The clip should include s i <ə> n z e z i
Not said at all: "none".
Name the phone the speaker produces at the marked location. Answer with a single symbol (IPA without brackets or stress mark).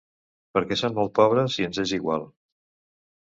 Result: ə